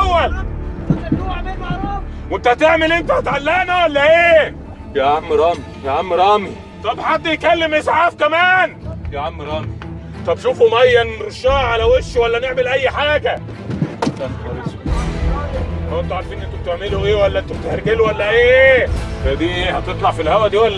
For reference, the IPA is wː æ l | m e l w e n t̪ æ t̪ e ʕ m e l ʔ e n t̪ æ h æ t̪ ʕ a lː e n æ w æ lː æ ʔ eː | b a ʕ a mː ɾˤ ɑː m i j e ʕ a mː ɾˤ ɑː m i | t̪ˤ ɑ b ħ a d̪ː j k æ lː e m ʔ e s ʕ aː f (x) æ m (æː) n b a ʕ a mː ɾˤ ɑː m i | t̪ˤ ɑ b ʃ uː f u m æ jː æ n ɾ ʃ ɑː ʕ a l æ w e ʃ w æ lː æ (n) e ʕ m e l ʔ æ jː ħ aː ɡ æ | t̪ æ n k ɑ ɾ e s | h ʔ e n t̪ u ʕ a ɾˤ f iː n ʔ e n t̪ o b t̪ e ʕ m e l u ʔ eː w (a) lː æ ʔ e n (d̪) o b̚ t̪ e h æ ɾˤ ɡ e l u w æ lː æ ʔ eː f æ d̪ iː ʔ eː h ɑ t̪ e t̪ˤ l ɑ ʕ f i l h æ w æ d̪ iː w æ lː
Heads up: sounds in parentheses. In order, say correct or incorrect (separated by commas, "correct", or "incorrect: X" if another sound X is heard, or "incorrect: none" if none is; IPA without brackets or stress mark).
incorrect: k, correct, correct, incorrect: æ, incorrect: t̪